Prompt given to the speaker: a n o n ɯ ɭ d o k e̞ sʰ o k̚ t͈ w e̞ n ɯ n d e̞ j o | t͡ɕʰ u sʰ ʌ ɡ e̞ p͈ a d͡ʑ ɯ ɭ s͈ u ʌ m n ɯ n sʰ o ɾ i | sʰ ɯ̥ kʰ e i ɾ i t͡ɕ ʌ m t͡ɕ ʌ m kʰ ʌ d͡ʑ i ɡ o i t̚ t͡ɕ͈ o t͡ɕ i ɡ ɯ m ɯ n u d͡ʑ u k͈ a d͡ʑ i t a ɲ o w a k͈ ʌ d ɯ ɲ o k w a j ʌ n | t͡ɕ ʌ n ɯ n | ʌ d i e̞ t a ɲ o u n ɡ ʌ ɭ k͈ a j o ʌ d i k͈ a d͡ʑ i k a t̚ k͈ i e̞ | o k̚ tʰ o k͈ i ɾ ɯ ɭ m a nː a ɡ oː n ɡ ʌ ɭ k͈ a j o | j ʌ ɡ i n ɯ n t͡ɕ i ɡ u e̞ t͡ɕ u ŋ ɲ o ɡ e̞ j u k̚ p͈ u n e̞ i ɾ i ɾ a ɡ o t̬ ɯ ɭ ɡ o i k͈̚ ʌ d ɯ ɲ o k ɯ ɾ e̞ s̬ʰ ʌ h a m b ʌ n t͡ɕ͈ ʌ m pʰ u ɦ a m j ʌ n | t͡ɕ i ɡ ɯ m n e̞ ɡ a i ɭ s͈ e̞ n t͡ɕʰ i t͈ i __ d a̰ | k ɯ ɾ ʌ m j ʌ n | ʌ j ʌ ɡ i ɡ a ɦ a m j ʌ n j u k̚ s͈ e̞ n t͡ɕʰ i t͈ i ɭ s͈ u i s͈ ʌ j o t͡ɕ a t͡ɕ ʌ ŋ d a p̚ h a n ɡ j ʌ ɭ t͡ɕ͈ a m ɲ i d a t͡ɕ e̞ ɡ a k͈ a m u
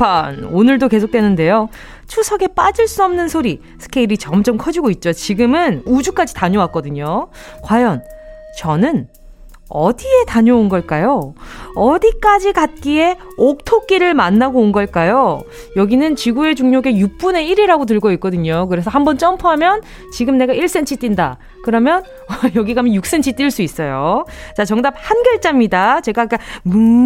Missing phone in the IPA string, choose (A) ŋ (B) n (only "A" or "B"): B